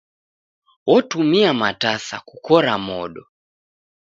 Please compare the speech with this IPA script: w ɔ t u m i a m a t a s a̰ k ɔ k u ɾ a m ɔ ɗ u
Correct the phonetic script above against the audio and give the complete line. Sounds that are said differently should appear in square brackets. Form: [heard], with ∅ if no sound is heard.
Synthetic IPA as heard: w ɔ t u m i a m a t a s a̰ k [u] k [ɔ] ɾ a m ɔ ɗ [ɔ]